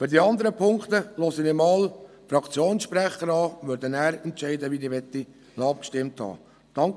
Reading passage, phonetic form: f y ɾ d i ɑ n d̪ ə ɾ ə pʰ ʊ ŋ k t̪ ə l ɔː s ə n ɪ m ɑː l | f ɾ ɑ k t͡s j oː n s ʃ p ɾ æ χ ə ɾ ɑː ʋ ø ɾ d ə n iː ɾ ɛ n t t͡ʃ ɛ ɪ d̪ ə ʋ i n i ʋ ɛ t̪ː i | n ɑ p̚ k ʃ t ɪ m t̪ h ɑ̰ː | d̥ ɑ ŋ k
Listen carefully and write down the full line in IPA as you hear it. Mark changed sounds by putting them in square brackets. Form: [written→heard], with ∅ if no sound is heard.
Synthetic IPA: f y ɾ d i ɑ n d̪ ə ɾ ə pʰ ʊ ŋ k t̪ ə l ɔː s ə n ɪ m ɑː l | f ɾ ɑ k t͡s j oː n s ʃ p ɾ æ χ ə ɾ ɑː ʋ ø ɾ d ə n [iː→æː] ɾ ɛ n t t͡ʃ ɛ ɪ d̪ ə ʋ i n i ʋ ɛ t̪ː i | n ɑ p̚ k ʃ t ɪ m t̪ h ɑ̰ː | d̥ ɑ ŋ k

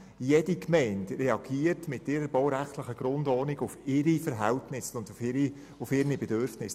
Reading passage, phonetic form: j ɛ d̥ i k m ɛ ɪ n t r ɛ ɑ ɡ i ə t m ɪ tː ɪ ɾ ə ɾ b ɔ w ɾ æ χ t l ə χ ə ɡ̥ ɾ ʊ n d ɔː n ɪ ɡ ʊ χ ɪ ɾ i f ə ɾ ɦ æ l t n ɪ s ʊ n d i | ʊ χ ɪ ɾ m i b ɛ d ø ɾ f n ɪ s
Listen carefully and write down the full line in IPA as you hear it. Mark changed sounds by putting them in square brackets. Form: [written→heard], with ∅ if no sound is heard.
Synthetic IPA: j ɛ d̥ i k m ɛ ɪ n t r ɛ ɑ ɡ i ə t m ɪ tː ɪ ɾ ə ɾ b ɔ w ɾ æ χ t l ə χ ə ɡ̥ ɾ ʊ n d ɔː n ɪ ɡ ʊ [χ→f] ɪ ɾ i f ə ɾ ɦ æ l t n ɪ s ʊ n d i | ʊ [χ→f] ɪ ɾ [m→n] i b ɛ d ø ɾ f n ɪ s

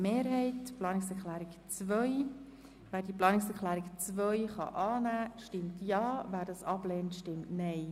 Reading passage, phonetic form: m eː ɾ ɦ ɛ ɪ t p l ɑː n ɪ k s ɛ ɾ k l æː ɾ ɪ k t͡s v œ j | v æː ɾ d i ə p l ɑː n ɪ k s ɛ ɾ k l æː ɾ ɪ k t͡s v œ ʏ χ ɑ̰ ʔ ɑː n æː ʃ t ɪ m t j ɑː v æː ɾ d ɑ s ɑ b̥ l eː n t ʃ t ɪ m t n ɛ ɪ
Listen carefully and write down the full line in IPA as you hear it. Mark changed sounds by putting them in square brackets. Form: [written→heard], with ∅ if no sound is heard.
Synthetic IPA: m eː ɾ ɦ ɛ ɪ t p l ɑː n ɪ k s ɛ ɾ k l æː ɾ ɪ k t͡s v œ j | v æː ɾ d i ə p l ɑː n ɪ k s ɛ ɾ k l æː ɾ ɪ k t͡s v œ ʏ χ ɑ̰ ʔ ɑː n æː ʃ t ɪ m t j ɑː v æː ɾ d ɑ s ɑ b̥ l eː n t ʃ t ɪ m t n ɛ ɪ

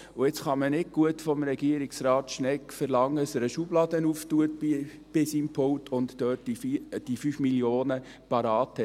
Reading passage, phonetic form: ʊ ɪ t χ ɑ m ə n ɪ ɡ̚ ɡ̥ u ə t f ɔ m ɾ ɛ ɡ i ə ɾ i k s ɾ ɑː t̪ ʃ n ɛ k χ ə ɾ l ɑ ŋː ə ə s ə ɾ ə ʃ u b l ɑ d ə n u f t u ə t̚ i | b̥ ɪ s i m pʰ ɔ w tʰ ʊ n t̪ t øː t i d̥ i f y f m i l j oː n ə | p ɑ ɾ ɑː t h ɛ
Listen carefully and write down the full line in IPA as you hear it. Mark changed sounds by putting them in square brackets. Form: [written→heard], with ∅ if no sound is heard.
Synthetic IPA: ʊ ɪ [t→t͡s] χ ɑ m ə n ɪ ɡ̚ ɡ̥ u ə t f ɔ m ɾ ɛ ɡ i ə ɾ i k s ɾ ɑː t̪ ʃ n ɛ k [χ→f] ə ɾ l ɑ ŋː ə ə s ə ɾ ə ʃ u b l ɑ d ə n u f t u ə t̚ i | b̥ ɪ s i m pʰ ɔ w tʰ ʊ n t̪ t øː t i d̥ i f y f m i l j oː n ə | p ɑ ɾ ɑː t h ɛ

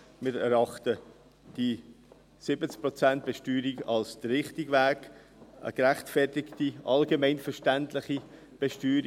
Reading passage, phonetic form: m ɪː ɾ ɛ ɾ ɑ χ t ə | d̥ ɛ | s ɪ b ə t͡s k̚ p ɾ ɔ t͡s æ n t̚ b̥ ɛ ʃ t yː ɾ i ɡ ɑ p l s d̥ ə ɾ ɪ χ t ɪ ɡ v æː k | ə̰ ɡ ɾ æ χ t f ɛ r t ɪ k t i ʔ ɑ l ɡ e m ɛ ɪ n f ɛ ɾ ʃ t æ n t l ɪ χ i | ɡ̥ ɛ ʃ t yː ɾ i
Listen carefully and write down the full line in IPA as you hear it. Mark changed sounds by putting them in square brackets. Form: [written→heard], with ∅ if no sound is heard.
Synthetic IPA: m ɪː ɾ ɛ ɾ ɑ χ t ə | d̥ [ɛ→i] | s ɪ b ə t͡s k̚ p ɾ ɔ t͡s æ n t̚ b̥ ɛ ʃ t yː ɾ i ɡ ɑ [p→∅] l s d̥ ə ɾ ɪ χ t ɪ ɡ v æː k | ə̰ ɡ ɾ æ χ t f ɛ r t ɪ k t i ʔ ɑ l ɡ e m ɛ ɪ n f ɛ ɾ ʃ t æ n t l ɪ χ i | [ɡ̥→b̥] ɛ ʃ t yː ɾ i

